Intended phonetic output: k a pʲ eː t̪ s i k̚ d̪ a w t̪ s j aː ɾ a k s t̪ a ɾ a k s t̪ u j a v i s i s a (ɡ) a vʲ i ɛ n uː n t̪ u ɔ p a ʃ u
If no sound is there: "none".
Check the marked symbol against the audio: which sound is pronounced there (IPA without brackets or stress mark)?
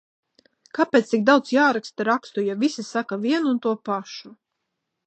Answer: k